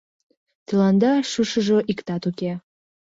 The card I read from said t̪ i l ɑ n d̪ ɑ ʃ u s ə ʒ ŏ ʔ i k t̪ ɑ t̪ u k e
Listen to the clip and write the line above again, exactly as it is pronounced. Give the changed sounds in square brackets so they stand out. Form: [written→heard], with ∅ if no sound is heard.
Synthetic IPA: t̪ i l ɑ n d̪ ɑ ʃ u [s→ʃ] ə ʒ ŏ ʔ i k t̪ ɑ t̪ u k e